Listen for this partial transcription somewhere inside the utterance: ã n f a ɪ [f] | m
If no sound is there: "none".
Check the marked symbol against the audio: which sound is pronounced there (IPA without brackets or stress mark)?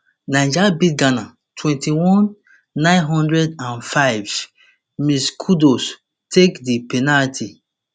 v